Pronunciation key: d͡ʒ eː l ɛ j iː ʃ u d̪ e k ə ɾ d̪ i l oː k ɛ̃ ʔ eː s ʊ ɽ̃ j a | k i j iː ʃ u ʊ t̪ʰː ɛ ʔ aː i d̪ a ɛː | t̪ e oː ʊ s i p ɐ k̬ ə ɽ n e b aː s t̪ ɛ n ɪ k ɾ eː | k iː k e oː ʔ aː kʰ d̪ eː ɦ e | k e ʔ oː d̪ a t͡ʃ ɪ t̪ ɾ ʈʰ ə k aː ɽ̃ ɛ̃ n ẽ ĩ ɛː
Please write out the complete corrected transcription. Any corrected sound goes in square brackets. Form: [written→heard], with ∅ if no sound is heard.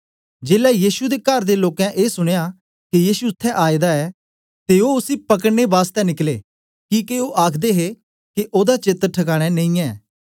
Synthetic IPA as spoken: d͡ʒ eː l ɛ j iː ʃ u d̪ e k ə ɾ d̪ [i→e] l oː k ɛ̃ ʔ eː s ʊ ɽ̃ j a | k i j iː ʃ u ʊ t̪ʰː ɛ ʔ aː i d̪ a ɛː | t̪ e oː ʊ s i p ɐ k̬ ə ɽ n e b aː s t̪ ɛ n ɪ k [ɾ→l] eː | k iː k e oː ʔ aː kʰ d̪ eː ɦ e | k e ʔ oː d̪ a t͡ʃ ɪ t̪ ɾ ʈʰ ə k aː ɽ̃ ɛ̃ n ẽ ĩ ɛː